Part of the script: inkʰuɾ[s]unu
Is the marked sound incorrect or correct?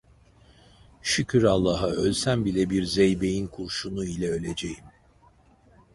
incorrect